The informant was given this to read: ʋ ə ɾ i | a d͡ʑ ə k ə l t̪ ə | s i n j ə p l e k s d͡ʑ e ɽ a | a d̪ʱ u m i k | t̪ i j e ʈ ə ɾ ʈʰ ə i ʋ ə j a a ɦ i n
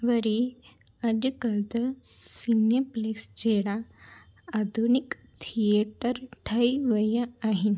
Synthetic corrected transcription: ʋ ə ɾ i | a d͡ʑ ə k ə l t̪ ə | s i n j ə p l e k s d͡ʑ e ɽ a | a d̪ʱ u n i k | t̪ʰ i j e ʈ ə ɾ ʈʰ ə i ʋ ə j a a ɦ i n